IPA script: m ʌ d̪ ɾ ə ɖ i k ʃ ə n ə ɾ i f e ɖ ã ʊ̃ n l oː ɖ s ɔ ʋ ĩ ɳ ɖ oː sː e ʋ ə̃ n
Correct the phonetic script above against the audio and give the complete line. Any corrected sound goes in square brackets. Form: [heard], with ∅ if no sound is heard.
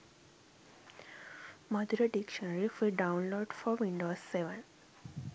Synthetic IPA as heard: m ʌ d̪ ɾ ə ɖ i k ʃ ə n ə ɾ i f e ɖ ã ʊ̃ n l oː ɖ [f] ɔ ʋ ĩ ɳ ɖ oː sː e ʋ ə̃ n

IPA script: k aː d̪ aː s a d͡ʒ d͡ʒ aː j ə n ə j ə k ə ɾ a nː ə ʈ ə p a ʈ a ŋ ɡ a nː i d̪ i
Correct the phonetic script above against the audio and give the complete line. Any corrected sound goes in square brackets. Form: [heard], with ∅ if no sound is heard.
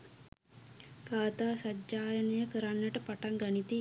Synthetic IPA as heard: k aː [t̪] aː s a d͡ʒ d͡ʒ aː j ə n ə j ə k ə ɾ a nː ə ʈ ə p a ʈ a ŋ ɡ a [n] i [t̪] i

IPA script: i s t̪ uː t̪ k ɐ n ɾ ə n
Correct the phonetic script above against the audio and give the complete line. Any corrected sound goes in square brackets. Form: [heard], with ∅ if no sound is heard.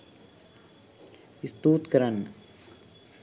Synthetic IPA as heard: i s t̪ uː t̪ k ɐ [∅] ɾ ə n

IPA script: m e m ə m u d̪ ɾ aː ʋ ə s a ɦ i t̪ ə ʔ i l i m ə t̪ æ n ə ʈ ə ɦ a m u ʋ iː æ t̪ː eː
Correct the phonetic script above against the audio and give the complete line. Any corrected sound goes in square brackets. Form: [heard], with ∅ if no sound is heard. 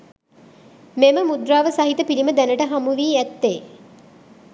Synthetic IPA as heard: m e m ə m u d̪ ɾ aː ʋ ə s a ɦ i t̪ ə [p] i l i m ə [d̪] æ n ə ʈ ə ɦ a m u ʋ iː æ t̪ː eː

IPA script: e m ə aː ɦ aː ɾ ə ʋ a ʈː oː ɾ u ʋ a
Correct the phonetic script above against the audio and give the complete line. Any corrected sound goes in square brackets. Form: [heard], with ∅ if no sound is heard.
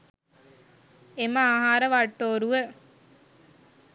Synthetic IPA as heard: e m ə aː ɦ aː ɾ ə ʋ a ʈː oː ɾ u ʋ [ə]

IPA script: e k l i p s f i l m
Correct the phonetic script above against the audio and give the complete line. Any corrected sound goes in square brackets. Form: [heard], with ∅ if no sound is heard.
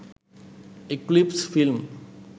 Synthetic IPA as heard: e k l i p s f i l m

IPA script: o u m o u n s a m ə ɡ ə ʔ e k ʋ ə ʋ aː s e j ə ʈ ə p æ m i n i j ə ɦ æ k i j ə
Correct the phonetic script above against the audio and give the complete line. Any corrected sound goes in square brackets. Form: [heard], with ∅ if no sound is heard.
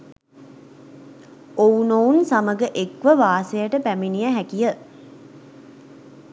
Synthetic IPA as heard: o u [n] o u n s a m ə ɡ ə ʔ e k ʋ ə ʋ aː s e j ə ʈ ə p æ m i n i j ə ɦ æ k i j ə

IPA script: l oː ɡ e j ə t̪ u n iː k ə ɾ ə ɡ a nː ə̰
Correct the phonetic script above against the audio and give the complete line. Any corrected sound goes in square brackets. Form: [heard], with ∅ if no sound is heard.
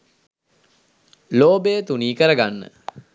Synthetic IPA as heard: l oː [b] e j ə t̪ u n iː k ə ɾ ə ɡ a nː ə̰

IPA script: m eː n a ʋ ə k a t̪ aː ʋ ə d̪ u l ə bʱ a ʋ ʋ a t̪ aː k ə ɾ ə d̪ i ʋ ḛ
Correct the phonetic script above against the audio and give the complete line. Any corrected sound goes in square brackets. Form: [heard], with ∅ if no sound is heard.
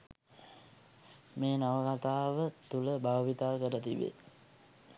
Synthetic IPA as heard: m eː n a ʋ ə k a t̪ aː ʋ ə [t̪] u l ə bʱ a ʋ ʋ [i] t̪ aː k ə ɾ ə [t̪] i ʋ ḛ

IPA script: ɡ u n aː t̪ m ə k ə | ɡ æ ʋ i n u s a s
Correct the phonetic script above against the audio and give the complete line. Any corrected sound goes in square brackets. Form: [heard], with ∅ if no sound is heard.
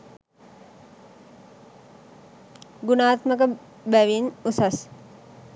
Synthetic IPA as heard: ɡ u n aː t̪ m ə k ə | [b] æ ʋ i n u s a s

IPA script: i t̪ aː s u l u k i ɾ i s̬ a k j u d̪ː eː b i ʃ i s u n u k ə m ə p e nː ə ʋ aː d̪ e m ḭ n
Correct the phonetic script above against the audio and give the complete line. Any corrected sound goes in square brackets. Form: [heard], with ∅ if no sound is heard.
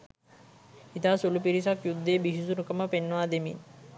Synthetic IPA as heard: i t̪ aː s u l u [p] i ɾ i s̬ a k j u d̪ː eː b i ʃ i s u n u k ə m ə p e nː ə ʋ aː d̪ e m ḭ n

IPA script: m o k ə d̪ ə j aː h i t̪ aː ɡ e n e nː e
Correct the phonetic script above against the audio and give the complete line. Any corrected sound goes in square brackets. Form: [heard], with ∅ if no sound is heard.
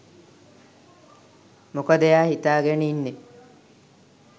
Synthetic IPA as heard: m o k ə d̪ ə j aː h i t̪ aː ɡ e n [i] nː e

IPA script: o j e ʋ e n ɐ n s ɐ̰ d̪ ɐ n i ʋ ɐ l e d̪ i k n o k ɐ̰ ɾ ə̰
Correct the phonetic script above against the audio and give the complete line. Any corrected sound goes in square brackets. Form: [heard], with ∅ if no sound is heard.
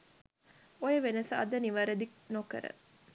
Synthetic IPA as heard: o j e ʋ e n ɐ [∅] s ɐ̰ d̪ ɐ n i ʋ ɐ [ɾ] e d̪ i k n o k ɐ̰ ɾ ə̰

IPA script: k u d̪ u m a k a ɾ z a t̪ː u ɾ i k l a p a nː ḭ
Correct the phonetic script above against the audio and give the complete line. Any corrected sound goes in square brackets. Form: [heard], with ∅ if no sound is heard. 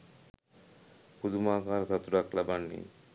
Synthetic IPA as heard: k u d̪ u m a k a ɾ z a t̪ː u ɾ [a] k l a [b] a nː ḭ

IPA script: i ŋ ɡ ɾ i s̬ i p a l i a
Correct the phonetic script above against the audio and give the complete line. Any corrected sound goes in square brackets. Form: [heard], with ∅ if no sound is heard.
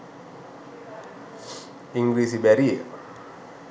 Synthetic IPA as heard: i ŋ ɡ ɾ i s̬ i [b] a [ɾ] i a

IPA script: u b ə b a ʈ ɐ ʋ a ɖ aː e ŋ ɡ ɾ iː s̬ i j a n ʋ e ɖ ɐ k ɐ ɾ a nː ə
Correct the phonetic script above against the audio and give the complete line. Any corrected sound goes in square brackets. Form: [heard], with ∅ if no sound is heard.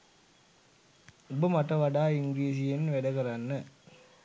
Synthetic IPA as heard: u b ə [m] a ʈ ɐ ʋ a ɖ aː [i] ŋ ɡ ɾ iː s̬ i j [e] n ʋ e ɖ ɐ k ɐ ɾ a nː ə

